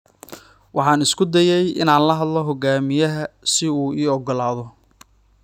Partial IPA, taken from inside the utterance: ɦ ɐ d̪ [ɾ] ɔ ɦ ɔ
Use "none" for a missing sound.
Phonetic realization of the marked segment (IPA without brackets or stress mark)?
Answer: l